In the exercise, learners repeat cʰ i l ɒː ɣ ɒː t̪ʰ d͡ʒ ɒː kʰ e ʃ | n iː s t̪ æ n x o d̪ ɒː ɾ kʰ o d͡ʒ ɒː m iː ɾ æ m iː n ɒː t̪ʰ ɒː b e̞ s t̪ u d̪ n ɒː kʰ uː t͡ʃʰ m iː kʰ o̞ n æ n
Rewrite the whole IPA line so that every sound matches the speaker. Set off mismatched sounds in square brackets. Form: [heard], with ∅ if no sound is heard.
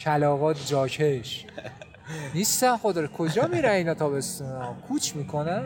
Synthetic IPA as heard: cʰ [æ] l ɒː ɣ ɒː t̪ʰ d͡ʒ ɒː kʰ e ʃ | n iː s t̪ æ n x o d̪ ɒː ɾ kʰ o d͡ʒ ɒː m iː ɾ æ [n] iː n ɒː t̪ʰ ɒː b e̞ s t̪ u [∅] n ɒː kʰ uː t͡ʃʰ m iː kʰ o̞ n æ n